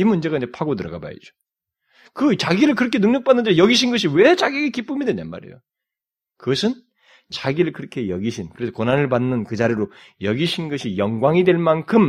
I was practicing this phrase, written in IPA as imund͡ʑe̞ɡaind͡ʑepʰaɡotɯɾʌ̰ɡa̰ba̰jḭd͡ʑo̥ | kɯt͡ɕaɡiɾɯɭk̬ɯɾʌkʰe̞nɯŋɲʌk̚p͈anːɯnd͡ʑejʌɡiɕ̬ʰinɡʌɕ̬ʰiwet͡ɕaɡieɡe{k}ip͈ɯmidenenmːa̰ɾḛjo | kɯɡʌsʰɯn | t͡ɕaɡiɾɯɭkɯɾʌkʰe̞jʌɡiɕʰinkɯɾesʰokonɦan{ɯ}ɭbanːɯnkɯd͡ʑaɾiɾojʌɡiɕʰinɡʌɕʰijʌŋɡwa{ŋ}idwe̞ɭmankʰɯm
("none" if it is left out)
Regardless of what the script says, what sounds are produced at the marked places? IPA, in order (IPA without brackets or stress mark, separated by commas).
k, ɯ, ŋ